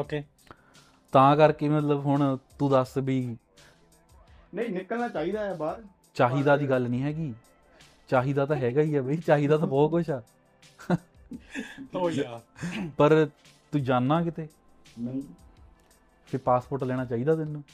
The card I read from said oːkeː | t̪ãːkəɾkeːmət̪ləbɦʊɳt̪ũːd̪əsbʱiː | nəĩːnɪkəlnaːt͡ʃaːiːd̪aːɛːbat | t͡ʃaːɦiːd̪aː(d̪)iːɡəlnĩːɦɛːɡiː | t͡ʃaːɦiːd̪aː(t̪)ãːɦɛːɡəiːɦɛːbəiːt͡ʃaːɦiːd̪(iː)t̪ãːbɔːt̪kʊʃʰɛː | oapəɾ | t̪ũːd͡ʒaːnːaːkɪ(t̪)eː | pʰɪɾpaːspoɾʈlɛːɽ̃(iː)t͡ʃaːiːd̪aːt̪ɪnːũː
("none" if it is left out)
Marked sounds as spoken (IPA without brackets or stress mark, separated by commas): d̪, t̪, aː, t̪, aː